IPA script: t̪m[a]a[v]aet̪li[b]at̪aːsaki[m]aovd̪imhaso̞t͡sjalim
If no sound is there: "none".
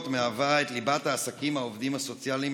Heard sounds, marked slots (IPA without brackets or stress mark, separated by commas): e, v, b, m